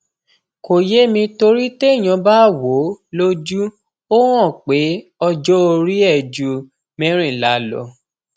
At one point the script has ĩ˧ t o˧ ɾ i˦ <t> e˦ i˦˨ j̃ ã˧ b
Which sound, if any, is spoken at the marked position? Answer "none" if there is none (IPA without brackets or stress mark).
t